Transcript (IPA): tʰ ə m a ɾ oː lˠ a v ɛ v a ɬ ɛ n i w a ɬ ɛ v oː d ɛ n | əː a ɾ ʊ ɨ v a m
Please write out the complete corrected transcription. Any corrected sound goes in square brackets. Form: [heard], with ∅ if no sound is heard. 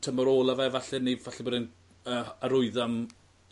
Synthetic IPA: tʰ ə m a ɾ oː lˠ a v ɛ v a ɬ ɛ n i [v] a ɬ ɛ [b] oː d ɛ n | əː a ɾ ʊ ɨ [ð] a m